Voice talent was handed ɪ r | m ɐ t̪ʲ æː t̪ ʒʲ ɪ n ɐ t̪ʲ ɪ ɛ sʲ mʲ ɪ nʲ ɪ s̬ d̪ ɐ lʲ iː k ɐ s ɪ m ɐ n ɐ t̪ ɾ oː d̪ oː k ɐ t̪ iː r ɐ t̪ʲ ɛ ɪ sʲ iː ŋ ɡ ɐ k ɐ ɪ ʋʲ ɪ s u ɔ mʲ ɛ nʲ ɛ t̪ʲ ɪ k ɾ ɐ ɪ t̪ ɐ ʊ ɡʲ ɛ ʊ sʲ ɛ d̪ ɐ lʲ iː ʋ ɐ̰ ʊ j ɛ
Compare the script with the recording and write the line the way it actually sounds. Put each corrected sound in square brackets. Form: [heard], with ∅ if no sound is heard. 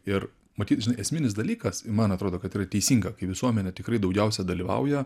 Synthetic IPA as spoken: ɪ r | m ɐ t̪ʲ [iː] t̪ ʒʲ ɪ n ɐ [∅] ɪ ɛ sʲ mʲ ɪ nʲ ɪ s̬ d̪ ɐ lʲ iː k ɐ s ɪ m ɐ n ɐ t̪ ɾ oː d̪ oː k ɐ t̪ iː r ɐ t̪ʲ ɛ ɪ sʲ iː ŋ ɡ ɐ k ɐ ɪ ʋʲ ɪ s u ɔ mʲ ɛ nʲ ɛ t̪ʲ ɪ k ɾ ɐ ɪ [d̪] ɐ ʊ ɡʲ ɛ ʊ sʲ ɛ d̪ ɐ lʲ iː ʋ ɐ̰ ʊ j ɛ

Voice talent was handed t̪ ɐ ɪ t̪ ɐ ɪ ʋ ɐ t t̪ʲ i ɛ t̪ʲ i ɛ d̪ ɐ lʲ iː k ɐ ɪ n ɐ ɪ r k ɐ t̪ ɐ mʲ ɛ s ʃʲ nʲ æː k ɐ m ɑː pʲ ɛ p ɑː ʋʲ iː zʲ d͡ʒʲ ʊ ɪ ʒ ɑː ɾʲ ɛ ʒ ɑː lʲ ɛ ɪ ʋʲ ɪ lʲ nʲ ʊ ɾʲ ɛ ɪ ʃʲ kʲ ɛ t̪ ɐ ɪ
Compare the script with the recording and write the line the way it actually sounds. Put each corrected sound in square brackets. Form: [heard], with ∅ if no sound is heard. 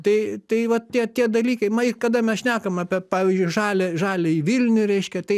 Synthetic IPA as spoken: t̪ ɐ ɪ t̪ ɐ ɪ ʋ ɐ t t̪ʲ i ɛ t̪ʲ i ɛ d̪ ɐ lʲ iː k ɐ ɪ [m] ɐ ɪ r k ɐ [d̪] ɐ mʲ ɛ s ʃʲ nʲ æː k ɐ m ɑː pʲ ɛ p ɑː ʋʲ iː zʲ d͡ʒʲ ʊ ɪ ʒ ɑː [lʲ] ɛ ʒ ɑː lʲ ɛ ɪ ʋʲ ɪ lʲ nʲ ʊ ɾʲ ɛ ɪ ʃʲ kʲ ɛ t̪ ɐ ɪ

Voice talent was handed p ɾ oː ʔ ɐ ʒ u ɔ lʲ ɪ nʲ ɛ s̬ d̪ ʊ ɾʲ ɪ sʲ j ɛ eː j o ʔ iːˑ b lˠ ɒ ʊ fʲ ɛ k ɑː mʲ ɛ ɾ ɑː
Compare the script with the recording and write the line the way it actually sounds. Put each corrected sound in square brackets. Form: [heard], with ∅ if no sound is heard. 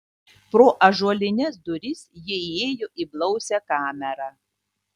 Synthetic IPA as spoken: p ɾ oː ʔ ɐ ʒ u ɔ lʲ ɪ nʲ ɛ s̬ d̪ ʊ ɾʲ ɪ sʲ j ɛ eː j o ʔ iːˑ b lˠ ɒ ʊ [sʲ] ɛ k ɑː mʲ ɛ ɾ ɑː

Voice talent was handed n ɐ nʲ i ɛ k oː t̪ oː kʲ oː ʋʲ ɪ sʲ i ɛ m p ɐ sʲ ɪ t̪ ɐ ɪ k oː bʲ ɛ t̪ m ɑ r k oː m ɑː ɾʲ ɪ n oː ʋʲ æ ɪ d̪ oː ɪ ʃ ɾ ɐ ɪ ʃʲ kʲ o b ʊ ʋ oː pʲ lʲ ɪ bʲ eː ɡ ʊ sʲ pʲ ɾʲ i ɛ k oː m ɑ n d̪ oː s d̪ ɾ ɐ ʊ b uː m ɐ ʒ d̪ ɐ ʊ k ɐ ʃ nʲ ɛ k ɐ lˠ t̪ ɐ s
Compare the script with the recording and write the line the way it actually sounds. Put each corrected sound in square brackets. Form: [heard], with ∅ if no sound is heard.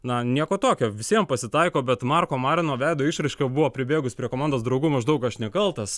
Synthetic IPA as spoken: n ɐ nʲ i ɛ k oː t̪ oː kʲ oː ʋʲ ɪ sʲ i ɛ m p ɐ sʲ ɪ t̪ ɐ ɪ k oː bʲ ɛ t̪ m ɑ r k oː m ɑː ɾʲ ɪ n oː ʋʲ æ ɪ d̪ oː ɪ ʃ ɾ ɐ ɪ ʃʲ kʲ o b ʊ ʋ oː pʲ [ɾʲ] ɪ bʲ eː ɡ ʊ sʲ pʲ ɾʲ i ɛ k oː m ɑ n d̪ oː s d̪ ɾ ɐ ʊ [ɡ] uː m ɐ ʒ d̪ ɐ ʊ k ɐ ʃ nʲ ɛ k ɐ lˠ t̪ ɐ s

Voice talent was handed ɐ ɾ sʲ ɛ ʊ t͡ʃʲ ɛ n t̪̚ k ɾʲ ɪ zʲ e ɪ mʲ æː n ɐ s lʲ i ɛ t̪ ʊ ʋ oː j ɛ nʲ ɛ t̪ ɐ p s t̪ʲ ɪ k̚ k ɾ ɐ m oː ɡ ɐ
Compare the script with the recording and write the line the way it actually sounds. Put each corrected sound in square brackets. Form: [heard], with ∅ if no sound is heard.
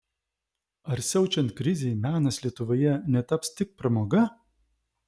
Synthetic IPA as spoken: ɐ ɾ sʲ ɛ ʊ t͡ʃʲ ɛ n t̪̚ k ɾʲ ɪ zʲ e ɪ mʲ æː n ɐ s lʲ i ɛ t̪ ʊ ʋ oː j ɛ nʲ ɛ t̪ ɐ p s t̪ʲ ɪ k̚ [p] ɾ ɐ m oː ɡ ɐ

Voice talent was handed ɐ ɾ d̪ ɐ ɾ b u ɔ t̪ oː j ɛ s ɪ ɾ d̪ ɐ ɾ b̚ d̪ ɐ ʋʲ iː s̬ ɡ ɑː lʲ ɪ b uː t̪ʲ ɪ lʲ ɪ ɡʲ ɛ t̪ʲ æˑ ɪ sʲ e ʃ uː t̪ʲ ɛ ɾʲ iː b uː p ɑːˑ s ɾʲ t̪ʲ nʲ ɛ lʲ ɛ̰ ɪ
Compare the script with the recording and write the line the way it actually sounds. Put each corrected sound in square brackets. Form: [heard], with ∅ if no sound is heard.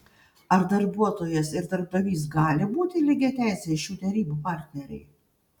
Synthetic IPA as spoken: ɐ ɾ d̪ ɐ ɾ b u ɔ t̪ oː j ɛ s ɪ ɾ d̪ ɐ ɾ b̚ d̪ ɐ ʋʲ iː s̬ ɡ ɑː lʲ ɪ b uː t̪ʲ ɪ lʲ ɪ ɡʲ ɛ t̪ʲ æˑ ɪ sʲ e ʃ uː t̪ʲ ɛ ɾʲ iː b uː p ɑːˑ [∅] ɾʲ t̪ʲ nʲ ɛ [ɾʲ] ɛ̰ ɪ

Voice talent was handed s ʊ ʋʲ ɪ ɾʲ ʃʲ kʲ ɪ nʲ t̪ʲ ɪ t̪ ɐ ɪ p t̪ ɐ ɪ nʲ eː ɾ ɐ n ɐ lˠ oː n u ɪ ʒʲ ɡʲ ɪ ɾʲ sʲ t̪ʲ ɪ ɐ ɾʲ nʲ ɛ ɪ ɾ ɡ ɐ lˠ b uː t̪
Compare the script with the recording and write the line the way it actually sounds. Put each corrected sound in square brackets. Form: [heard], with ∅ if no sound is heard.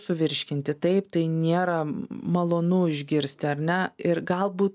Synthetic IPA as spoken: s ʊ ʋʲ ɪ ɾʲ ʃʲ kʲ ɪ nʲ t̪ʲ ɪ t̪ ɐ ɪ p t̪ ɐ ɪ nʲ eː ɾ ɐ [m] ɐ lˠ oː n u ɪ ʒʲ ɡʲ ɪ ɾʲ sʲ t̪ʲ ɪ ɐ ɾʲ nʲ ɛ ɪ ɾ ɡ ɐ lˠ b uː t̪

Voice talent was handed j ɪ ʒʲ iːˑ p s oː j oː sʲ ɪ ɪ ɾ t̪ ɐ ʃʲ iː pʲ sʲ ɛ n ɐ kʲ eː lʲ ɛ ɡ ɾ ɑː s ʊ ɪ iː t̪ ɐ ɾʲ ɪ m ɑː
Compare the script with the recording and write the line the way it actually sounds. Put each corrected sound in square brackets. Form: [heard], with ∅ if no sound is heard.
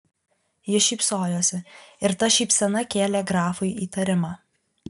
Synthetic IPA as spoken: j ɪ [ʃʲ] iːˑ p s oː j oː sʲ ɪ ɪ ɾ t̪ ɐ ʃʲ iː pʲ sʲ ɛ n ɐ kʲ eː lʲ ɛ ɡ ɾ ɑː [f] ʊ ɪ iː t̪ ɐ ɾʲ ɪ m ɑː

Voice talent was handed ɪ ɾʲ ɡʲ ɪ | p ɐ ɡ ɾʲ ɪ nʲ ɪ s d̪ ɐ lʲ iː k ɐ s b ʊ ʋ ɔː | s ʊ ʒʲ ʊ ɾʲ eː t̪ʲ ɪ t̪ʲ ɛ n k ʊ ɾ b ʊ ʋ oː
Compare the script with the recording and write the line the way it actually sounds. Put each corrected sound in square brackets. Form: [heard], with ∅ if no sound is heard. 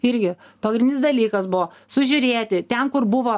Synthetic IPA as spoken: ɪ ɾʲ ɡʲ ɪ | p ɐ ɡ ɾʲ ɪ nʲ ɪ s d̪ ɐ lʲ iː k ɐ s b ʊ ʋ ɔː | s ʊ ʒʲ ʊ ɾʲ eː t̪ʲ ɪ t̪ʲ ɛ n k ʊ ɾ b ʊ ʋ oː

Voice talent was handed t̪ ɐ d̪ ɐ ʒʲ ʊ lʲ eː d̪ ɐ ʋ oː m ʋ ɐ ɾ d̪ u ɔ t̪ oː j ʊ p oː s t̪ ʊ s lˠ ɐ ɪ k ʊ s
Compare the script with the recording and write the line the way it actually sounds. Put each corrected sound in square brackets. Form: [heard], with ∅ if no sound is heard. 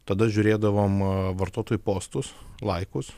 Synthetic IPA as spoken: t̪ ɐ d̪ ɐ ʒʲ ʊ [ɾʲ] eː d̪ ɐ ʋ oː m ʋ ɐ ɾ [t̪] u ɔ t̪ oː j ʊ p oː s t̪ ʊ s lˠ ɐ ɪ k ʊ s

